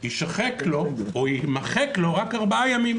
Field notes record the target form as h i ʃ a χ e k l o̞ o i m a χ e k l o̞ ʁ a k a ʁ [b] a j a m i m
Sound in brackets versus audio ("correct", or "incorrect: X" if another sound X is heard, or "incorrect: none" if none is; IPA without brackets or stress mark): correct